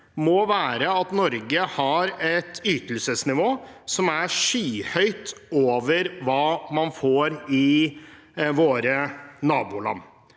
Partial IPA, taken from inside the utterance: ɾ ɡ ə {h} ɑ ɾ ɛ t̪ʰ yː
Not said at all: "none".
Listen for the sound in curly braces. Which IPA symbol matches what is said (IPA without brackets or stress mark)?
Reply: h